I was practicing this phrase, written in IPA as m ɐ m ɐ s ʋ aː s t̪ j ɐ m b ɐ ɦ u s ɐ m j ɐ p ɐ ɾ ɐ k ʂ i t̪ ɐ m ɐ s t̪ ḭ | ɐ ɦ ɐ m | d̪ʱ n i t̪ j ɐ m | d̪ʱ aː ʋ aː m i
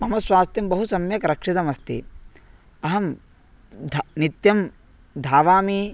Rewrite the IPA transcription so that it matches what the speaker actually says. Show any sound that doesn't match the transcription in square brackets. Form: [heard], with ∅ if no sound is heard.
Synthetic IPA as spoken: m ɐ m ɐ s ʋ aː s t̪ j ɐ m b ɐ ɦ u s ɐ m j ɐ [k] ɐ ɾ ɐ k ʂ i t̪ ɐ m ɐ s t̪ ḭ | ɐ ɦ ɐ m | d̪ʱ n i t̪ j ɐ m | d̪ʱ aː ʋ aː m i

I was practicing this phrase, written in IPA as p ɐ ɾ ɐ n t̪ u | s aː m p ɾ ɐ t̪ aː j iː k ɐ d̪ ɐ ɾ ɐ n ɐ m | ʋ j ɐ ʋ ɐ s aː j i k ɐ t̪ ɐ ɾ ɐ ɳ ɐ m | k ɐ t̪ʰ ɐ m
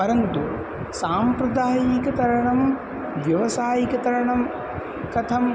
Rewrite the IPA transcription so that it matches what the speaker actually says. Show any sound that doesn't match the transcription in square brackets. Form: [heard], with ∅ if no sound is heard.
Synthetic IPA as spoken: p ɐ ɾ ɐ n t̪ u | s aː m p ɾ ɐ [d̪] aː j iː k ɐ [t̪] ɐ ɾ ɐ [ɳ] ɐ m | ʋ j ɐ ʋ ɐ s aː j i k ɐ t̪ ɐ ɾ ɐ ɳ ɐ m | k ɐ t̪ʰ ɐ m

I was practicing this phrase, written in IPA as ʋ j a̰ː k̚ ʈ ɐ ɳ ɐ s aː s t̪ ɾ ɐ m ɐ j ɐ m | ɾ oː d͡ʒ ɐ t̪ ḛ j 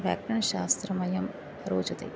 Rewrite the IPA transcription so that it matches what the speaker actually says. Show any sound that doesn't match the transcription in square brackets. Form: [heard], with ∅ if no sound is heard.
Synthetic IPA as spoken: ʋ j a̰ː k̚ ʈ ɐ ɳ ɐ [ʃ] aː s t̪ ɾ ɐ m ɐ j ɐ m | ɾ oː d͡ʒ ɐ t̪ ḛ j

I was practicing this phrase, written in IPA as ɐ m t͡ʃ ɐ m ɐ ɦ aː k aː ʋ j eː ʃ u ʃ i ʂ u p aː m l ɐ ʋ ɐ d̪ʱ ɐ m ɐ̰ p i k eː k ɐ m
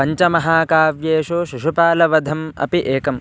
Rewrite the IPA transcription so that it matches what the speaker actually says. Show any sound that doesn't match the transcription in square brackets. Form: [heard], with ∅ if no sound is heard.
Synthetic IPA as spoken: ɐ [ɲ] t͡ʃ ɐ m ɐ ɦ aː k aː ʋ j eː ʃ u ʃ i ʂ u p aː [∅] l ɐ ʋ ɐ d̪ʱ ɐ m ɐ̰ p i [ʔ] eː k ɐ m

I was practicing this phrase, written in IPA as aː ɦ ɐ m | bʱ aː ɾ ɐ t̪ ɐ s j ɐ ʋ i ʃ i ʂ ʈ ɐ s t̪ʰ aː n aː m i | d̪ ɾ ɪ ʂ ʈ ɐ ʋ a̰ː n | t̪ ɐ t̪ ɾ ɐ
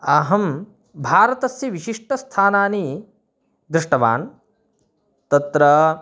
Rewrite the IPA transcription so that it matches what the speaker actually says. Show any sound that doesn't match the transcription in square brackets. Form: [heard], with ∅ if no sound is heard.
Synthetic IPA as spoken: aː ɦ ɐ m | bʱ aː ɾ ɐ t̪ ɐ s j ɐ ʋ i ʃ i ʂ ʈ ɐ s t̪ʰ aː n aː [n] i | d̪ ɾ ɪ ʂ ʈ ɐ ʋ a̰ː n | t̪ ɐ t̪ ɾ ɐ

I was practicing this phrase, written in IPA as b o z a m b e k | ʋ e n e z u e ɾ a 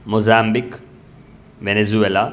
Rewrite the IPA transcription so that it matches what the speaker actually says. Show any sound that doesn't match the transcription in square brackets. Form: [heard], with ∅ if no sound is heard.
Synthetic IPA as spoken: [m] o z a m b [i] k | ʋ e n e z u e [l] a

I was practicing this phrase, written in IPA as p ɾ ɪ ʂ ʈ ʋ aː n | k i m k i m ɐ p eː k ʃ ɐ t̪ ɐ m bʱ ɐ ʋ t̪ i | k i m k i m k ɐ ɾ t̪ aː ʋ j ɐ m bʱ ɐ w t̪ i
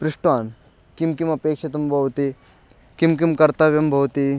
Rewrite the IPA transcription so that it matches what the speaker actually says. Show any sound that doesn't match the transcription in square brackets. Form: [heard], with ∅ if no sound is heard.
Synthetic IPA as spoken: p ɾ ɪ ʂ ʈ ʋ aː n | k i m k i m ɐ p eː k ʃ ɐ t̪ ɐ m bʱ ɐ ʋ t̪ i | k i m k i m k ɐ ɾ t̪ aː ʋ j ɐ m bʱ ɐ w t̪ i

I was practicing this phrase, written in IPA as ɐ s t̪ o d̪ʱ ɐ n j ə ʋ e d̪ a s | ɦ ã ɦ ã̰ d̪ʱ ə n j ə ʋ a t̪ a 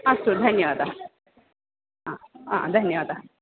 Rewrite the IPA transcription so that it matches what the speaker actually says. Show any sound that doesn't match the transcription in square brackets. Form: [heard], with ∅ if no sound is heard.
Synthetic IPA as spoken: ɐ s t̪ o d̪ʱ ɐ n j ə ʋ [a] d̪ a [∅] | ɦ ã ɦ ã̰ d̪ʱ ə n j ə ʋ a [d̪] a

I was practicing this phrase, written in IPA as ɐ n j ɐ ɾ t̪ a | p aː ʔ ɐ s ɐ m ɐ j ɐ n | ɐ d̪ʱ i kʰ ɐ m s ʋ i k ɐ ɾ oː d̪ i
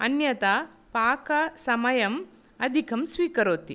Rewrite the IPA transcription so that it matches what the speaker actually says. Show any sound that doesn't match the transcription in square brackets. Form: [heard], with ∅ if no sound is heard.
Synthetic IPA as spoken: ɐ n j ɐ [∅] t̪ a | p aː [k] ɐ s ɐ m ɐ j ɐ [m] | ɐ d̪ʱ i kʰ ɐ m s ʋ [iː] k ɐ ɾ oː [t̪] i

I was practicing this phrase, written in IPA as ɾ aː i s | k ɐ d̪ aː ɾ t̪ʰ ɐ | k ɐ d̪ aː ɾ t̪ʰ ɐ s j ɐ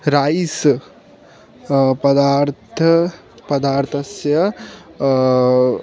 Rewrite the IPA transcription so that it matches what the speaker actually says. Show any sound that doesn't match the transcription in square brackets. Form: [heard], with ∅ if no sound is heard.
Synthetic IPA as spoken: ɾ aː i s | [p] ɐ d̪ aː ɾ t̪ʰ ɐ | [p] ɐ d̪ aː ɾ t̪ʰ ɐ s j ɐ

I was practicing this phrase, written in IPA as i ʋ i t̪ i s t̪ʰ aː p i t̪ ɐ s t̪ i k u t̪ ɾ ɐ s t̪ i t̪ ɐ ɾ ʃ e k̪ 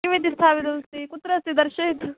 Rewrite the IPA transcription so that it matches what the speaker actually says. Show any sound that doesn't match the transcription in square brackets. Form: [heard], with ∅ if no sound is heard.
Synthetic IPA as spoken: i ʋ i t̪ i s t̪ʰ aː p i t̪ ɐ s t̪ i k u t̪ ɾ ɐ s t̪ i [d̪] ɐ ɾ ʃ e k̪

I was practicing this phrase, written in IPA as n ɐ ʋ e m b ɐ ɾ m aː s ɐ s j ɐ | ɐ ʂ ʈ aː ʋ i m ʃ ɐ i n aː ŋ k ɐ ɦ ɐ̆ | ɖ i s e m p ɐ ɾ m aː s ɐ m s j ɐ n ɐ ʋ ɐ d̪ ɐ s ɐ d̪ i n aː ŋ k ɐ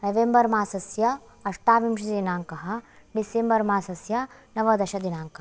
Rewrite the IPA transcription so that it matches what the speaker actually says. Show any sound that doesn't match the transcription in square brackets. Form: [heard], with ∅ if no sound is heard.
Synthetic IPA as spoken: n ɐ ʋ e m b ɐ ɾ m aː s ɐ s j ɐ | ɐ ʂ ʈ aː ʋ i m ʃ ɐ i n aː ŋ k ɐ ɦ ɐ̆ | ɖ i s e m [b] ɐ ɾ m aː s ɐ [∅] s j ɐ n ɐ ʋ ɐ d̪ ɐ [ʃ] ɐ d̪ i n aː ŋ k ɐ

